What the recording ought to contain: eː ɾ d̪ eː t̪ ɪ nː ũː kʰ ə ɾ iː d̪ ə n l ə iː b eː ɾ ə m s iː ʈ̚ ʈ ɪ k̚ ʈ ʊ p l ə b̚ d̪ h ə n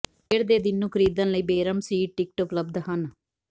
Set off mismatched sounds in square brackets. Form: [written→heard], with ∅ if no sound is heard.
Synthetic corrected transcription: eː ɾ d̪ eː [t̪→d̪] ɪ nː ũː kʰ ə ɾ iː d̪ ə n l ə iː b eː ɾ ə m s iː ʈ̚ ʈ ɪ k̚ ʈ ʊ p l ə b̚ d̪ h ə n